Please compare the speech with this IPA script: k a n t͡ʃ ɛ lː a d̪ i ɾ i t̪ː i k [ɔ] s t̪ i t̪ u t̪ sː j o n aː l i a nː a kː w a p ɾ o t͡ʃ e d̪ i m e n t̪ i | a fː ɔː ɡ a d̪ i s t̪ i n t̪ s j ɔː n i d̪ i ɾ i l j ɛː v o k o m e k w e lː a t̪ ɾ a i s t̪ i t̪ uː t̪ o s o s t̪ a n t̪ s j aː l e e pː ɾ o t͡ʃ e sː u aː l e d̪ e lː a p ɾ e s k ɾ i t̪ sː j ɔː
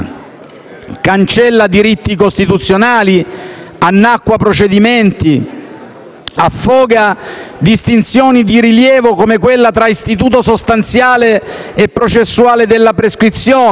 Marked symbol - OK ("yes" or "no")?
no